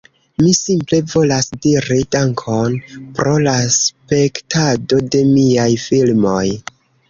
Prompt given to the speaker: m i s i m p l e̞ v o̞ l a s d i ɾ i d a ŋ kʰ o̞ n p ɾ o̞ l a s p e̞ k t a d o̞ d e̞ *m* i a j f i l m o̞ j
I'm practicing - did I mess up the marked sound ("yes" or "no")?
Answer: no